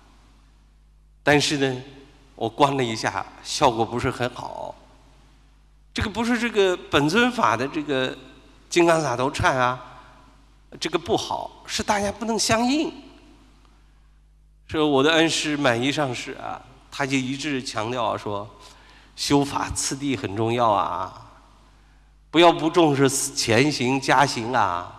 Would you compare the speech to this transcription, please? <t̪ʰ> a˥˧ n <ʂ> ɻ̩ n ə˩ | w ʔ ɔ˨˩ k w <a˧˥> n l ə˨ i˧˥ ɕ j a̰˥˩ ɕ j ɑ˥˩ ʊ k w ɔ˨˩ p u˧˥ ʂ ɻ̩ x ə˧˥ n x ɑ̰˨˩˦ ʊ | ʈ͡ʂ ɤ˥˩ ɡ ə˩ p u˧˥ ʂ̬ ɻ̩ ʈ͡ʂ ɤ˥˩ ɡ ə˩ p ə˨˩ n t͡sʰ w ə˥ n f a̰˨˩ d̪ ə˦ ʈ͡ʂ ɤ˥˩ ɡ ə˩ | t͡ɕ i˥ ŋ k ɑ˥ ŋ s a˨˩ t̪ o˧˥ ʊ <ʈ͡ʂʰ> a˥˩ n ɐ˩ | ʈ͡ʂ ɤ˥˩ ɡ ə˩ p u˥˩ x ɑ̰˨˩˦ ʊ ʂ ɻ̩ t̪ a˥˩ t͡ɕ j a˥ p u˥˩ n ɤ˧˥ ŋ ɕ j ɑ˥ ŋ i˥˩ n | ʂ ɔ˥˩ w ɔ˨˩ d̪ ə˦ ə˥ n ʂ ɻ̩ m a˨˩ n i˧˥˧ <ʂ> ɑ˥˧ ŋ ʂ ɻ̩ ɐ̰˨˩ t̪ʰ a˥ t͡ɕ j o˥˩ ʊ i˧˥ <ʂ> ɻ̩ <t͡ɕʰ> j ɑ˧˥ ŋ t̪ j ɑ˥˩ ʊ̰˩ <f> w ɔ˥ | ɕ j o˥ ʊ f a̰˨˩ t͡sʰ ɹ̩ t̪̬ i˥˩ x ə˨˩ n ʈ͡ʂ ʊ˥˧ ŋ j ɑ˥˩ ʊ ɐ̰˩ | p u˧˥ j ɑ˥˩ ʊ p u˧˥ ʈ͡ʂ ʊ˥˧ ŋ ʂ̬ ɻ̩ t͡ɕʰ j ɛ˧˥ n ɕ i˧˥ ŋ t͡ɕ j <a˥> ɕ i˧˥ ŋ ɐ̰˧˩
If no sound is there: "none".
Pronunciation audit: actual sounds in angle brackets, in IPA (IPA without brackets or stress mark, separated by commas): t̪, ʂ, a˥, ʈ͡ʂʰ, ʂ, ʈ͡ʂ, t͡ɕʰ, ʂ, a˥